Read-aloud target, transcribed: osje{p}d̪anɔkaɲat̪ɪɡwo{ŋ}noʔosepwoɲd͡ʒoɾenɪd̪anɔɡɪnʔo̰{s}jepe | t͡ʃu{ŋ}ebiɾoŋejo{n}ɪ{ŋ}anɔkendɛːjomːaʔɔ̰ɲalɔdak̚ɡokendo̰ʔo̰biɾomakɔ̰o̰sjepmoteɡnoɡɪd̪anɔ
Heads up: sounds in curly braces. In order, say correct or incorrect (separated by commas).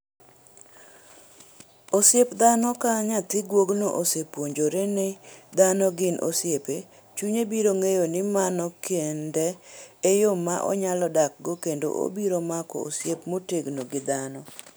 correct, incorrect, correct, incorrect, correct, incorrect